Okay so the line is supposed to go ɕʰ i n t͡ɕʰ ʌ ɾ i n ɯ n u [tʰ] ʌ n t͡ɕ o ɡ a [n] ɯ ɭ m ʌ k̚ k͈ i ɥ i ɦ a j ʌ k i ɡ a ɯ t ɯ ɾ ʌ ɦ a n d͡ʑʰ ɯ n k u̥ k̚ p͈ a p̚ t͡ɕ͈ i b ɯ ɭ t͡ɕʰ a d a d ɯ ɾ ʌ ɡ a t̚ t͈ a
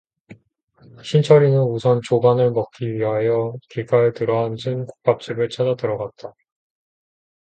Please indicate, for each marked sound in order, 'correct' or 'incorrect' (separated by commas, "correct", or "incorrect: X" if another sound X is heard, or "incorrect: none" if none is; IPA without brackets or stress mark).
incorrect: sʰ, correct